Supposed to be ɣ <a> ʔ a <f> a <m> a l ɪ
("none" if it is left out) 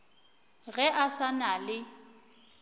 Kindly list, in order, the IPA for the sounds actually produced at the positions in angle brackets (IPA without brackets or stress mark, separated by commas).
ɛ, s, n